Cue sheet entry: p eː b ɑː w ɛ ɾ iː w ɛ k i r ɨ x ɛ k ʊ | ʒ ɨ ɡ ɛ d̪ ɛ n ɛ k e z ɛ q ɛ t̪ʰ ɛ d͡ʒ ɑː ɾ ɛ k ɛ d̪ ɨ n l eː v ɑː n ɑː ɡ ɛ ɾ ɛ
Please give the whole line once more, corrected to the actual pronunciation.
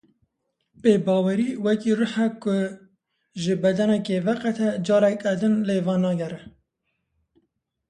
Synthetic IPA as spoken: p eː b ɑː w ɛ ɾ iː w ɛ k i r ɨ ħ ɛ k ʊ | ʒ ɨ b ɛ d̪ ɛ n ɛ k e v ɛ q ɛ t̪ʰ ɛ d͡ʒ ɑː ɾ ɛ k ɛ d̪ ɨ n l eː v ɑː n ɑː ɡ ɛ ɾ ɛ